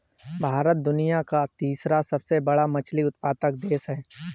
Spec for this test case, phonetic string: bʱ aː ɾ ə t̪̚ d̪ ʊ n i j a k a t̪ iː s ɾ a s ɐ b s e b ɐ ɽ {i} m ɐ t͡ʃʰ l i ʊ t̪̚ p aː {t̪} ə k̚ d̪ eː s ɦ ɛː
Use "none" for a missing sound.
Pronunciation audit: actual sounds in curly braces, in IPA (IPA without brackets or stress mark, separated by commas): a, t̪